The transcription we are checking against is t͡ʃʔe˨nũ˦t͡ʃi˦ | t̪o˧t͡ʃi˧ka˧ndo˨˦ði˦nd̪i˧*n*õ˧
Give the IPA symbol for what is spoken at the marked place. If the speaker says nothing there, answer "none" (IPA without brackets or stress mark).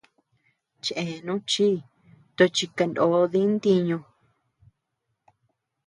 ɲ